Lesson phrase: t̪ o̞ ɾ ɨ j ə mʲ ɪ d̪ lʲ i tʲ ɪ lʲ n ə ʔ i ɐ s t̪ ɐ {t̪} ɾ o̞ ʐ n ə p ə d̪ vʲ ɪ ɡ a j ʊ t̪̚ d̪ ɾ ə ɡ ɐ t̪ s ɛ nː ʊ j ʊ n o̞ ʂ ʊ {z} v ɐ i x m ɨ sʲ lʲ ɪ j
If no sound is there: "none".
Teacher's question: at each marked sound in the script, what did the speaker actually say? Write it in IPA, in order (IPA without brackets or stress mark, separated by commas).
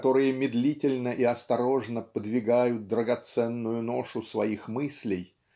none, s